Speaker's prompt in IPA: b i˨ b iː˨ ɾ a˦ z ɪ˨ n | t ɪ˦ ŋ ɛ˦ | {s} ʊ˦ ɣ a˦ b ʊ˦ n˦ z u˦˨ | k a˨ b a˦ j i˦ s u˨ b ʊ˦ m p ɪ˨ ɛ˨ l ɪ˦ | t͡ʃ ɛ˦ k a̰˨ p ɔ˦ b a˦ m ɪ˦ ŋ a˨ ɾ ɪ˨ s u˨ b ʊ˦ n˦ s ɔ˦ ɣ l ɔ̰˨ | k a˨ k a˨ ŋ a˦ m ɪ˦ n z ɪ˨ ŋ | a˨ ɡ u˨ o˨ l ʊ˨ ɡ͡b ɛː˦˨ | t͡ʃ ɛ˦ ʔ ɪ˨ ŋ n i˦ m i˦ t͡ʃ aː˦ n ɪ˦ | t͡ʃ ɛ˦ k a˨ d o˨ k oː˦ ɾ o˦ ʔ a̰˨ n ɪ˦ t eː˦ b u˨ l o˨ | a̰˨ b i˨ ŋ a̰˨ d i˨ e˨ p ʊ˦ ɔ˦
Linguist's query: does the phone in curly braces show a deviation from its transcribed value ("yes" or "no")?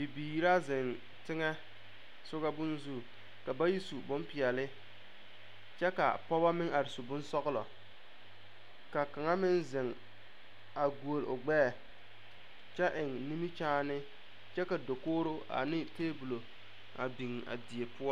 no